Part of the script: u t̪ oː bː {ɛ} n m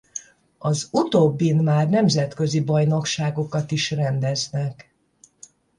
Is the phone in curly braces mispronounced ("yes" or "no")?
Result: yes